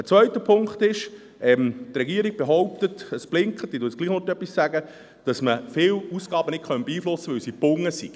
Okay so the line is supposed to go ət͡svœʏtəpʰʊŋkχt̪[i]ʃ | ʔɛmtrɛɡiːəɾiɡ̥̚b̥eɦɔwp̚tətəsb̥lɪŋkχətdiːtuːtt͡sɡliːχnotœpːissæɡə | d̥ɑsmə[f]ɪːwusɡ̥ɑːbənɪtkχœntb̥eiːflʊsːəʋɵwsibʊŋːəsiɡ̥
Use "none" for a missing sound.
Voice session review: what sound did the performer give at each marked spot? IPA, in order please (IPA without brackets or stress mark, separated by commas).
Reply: ɪ, f